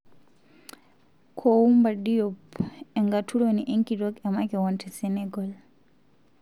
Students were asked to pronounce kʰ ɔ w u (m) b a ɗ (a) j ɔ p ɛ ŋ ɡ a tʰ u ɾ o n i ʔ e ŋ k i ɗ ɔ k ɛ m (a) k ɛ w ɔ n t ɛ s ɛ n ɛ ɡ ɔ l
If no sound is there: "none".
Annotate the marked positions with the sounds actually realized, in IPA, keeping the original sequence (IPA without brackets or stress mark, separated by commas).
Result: m, i, a